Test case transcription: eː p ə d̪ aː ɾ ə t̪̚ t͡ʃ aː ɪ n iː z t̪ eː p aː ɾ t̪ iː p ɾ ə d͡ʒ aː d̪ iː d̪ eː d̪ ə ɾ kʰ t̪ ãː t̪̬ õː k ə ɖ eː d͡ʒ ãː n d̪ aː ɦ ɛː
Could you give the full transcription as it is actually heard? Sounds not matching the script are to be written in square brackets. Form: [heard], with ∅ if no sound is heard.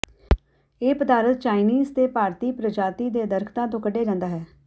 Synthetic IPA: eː p ə d̪ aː ɾ ə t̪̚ t͡ʃ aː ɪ n iː z t̪ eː p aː ɾ t̪ iː p ɾ ə d͡ʒ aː [t̪] iː d̪ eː d̪ ə ɾ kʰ t̪ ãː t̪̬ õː k ə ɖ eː d͡ʒ ãː n d̪ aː ɦ ɛː